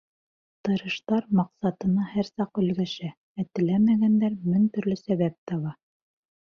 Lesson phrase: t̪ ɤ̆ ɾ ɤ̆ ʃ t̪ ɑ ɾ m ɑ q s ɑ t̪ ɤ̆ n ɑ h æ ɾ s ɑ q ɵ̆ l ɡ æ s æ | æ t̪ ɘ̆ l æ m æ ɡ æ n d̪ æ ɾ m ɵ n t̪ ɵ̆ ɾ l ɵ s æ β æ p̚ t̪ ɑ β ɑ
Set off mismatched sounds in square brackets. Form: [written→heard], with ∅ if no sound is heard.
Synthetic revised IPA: t̪ ɤ̆ ɾ ɤ̆ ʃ t̪ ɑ ɾ m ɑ q s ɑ t̪ ɤ̆ n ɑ h æ ɾ s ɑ q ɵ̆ l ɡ æ [s→ʃ] æ | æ t̪ ɘ̆ l æ m æ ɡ æ n d̪ æ ɾ m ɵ n t̪ ɵ̆ ɾ l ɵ s æ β æ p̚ t̪ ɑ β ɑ